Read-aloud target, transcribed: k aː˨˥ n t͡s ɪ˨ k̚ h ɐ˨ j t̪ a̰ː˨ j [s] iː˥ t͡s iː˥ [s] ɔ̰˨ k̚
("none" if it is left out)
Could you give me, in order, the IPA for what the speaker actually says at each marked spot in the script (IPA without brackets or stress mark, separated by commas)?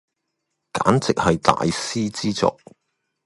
s, t͡s